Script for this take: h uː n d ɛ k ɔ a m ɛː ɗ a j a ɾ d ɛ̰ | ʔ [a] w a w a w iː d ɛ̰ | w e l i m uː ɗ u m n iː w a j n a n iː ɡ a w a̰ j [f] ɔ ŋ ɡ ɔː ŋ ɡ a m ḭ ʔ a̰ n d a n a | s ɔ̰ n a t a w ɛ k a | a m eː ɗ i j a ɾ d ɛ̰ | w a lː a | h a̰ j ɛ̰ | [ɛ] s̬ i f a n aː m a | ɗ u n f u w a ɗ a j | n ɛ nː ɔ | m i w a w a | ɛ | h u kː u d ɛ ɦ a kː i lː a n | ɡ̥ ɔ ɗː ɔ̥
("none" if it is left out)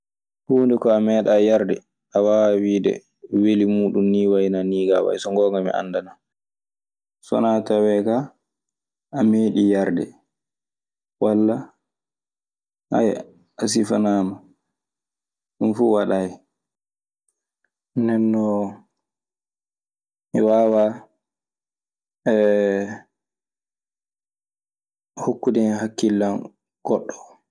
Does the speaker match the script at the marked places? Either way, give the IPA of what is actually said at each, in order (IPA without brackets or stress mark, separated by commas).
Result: a, s, a